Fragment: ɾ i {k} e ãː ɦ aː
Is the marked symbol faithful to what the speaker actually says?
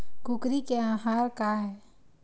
yes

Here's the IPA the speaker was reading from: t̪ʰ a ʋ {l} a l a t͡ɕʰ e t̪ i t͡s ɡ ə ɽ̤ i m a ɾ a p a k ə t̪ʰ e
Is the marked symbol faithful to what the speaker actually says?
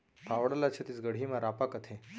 no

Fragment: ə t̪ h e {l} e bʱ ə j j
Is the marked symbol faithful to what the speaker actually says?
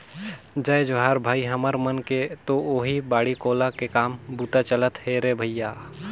no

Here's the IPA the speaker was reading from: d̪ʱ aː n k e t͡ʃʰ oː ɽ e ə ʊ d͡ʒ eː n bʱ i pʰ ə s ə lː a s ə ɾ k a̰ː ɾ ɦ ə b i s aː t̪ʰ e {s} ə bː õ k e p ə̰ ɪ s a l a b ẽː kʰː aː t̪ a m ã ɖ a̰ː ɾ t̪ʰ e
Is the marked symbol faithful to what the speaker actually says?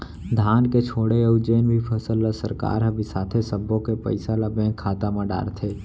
yes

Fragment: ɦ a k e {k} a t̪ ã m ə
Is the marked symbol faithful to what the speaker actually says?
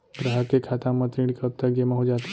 no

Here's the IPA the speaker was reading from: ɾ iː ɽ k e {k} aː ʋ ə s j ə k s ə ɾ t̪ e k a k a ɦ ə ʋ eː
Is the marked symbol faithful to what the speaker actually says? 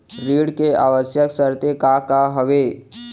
no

